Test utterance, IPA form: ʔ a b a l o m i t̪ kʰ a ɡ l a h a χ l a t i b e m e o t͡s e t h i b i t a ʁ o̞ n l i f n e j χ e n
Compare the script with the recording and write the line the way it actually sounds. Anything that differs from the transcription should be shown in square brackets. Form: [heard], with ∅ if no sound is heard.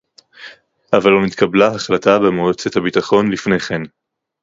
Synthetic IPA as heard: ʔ a [v] a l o m i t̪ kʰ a [b] l a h a χ l a t [a] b e m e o t͡s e t h [a] b i t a [χ] o̞ n l i f n e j χ e n